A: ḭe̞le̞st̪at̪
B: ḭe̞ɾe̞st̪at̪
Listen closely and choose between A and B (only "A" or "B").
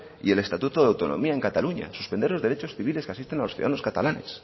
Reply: A